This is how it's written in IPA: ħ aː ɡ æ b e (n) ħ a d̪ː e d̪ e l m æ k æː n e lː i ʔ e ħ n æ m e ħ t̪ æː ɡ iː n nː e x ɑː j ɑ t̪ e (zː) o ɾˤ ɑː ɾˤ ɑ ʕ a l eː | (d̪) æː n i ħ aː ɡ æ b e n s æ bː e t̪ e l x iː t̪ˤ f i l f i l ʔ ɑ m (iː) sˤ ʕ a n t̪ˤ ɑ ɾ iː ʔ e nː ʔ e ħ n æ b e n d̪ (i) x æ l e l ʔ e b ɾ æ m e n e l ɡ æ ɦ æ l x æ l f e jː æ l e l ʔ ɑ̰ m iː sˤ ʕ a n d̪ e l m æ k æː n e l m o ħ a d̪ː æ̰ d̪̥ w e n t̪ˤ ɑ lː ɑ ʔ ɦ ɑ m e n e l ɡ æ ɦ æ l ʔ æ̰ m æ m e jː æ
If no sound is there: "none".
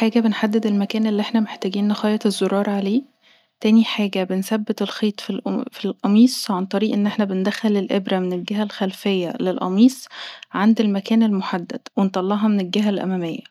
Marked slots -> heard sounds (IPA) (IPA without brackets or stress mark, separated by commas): n, zː, t̪, iː, æ